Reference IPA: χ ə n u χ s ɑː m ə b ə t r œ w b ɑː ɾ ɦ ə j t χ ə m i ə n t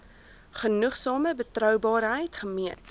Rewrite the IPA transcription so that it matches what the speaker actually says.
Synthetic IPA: χ ə n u χ s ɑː m ə b ə t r œ w b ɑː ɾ ɦ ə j t χ ə m i ə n t